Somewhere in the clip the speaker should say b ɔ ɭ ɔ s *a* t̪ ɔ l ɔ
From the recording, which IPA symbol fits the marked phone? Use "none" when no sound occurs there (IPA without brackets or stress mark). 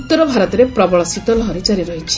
i